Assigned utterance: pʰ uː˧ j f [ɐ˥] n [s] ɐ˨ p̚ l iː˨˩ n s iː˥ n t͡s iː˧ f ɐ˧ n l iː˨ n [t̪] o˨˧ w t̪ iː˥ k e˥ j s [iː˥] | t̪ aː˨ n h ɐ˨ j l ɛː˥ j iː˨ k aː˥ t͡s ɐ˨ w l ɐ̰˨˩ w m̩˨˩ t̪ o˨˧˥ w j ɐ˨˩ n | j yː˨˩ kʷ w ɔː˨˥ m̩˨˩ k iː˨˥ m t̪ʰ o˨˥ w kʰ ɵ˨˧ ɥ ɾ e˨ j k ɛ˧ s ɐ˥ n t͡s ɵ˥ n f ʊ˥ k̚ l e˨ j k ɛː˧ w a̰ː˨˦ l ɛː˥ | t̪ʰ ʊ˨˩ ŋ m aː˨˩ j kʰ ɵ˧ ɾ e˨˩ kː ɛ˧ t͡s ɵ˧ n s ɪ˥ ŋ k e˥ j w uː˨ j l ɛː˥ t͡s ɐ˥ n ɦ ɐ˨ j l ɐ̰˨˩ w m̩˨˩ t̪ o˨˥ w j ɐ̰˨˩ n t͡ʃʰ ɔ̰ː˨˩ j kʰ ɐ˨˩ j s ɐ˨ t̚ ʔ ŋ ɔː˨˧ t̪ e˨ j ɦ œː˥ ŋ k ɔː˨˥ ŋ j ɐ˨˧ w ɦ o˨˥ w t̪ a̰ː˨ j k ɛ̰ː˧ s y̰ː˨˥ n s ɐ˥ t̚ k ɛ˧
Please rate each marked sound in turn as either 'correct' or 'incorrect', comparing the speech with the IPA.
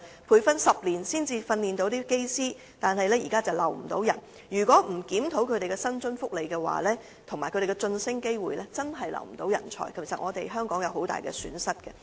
correct, correct, correct, correct

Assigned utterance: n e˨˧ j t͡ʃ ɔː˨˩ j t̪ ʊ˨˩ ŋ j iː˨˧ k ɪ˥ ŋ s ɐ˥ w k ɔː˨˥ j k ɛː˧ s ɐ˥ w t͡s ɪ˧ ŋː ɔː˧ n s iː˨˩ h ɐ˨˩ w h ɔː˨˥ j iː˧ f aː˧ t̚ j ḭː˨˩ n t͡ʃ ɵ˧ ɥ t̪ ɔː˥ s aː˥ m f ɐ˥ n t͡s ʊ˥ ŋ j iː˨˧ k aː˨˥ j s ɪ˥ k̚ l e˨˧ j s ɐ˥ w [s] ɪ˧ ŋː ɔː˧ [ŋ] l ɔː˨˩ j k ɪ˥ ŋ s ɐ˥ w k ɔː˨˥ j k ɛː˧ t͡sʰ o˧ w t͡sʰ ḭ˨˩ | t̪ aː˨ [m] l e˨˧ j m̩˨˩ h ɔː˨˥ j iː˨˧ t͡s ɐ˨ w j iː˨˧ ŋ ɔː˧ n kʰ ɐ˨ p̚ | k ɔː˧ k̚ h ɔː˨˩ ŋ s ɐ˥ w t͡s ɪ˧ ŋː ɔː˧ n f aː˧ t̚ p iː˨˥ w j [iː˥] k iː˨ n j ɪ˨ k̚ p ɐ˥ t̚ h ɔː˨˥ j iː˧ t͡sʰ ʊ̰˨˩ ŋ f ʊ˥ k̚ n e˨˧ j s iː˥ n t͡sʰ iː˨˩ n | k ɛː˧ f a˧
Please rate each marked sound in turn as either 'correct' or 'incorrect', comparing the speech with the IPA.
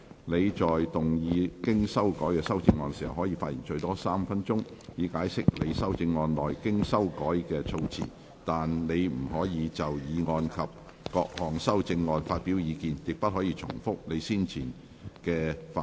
incorrect: t͡s, incorrect: n, incorrect: n, incorrect: iː˨˧

